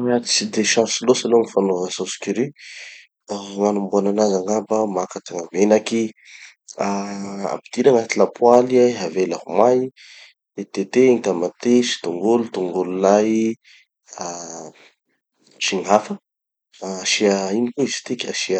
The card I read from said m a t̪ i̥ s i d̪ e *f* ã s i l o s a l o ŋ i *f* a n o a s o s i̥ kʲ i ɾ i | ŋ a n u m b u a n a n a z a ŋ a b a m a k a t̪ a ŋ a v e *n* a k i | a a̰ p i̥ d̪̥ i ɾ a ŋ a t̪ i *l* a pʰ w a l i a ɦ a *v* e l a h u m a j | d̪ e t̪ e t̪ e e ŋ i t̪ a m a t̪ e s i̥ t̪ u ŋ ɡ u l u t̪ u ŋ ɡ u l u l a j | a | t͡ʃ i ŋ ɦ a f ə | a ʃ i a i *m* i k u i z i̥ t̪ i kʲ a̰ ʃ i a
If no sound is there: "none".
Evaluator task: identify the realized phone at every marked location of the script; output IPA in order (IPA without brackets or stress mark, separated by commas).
ʃ, f, n, l, v, n